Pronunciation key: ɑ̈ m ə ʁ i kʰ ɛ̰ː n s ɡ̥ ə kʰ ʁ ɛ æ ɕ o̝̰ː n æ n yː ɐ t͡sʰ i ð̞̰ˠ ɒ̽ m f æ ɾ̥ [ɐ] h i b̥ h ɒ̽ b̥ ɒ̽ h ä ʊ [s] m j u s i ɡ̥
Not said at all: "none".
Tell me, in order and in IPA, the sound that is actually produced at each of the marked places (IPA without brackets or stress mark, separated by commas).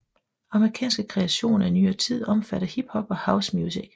ɐ, s